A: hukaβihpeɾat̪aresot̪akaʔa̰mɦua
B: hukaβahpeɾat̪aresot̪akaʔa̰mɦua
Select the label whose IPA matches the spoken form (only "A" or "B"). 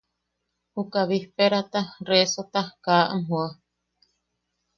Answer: A